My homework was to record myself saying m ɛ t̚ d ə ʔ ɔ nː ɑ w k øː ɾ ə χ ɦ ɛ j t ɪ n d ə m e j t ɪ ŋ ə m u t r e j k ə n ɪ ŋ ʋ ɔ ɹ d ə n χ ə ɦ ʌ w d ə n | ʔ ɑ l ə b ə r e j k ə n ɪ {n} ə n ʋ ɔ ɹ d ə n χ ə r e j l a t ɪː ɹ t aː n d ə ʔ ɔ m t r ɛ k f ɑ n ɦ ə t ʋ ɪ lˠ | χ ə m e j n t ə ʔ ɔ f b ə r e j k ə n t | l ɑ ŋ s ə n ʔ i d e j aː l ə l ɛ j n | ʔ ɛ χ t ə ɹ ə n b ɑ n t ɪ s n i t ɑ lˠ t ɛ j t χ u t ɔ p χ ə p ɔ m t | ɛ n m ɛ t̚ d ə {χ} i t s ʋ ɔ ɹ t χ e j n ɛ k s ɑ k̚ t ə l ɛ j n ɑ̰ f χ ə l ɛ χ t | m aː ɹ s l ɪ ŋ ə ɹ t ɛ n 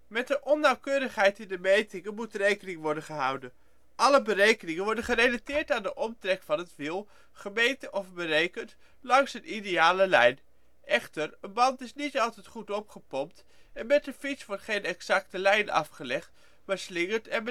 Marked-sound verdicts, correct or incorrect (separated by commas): incorrect, incorrect